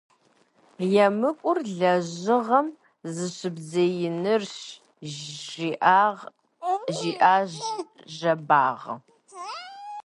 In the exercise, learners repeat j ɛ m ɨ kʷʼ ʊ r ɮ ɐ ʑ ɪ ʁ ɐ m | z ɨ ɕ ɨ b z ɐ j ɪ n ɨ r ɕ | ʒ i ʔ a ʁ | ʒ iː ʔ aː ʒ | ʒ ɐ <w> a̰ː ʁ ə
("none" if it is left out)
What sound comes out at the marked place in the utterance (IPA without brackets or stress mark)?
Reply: b